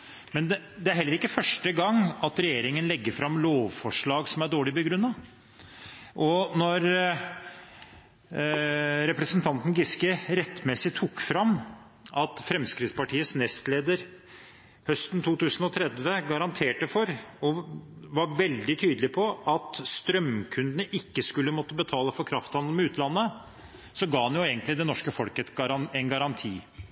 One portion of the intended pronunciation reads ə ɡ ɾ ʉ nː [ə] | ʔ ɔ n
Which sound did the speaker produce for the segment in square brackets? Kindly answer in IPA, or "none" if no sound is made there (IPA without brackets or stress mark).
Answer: ɑ